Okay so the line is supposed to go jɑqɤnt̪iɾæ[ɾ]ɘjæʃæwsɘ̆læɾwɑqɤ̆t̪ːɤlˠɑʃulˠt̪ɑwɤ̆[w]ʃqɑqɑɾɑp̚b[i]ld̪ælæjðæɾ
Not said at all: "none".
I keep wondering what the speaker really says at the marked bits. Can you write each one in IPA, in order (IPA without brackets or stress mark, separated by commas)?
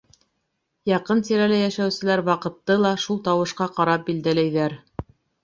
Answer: l, none, i